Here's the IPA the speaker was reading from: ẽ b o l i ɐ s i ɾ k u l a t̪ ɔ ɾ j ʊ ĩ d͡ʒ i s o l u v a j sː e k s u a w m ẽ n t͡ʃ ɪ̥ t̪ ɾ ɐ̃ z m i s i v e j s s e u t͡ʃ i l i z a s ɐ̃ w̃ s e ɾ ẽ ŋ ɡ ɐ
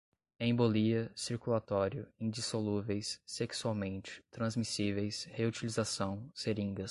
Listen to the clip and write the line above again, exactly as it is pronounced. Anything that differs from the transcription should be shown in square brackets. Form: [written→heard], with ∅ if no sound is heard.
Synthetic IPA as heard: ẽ b o l i ɐ s i ɾ k u l a t̪ ɔ ɾ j ʊ ĩ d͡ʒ i s o l u v [a→e] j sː e k s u a w m ẽ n t͡ʃ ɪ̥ t̪ ɾ ɐ̃ z m i s i v e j s [s→h] e u t͡ʃ i l i z a s ɐ̃ w̃ s e ɾ [ẽ→ĩ] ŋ ɡ ɐ